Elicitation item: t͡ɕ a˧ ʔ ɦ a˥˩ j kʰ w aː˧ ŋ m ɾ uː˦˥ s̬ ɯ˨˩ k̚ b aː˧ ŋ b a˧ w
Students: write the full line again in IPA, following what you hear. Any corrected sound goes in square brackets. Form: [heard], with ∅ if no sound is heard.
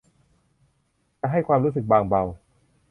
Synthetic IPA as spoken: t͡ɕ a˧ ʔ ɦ a˥˩ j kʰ w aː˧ [∅] m ɾ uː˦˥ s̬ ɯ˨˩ k̚ b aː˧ ŋ b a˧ w